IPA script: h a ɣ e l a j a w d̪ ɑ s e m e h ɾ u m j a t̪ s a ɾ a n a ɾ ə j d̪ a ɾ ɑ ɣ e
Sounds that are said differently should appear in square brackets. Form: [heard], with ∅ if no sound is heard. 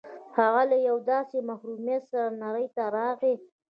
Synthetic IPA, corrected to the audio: h a ɣ [a] l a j a w d̪ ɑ s e m [a] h ɾ u m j a t̪ s a ɾ a n a ɾ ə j [t̪] a ɾ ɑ ɣ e